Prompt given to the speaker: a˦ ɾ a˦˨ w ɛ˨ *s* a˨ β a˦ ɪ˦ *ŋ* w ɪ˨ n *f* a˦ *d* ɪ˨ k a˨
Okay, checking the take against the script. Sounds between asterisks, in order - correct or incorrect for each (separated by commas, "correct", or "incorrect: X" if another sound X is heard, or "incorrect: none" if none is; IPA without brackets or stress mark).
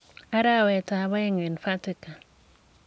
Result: incorrect: t, correct, correct, incorrect: t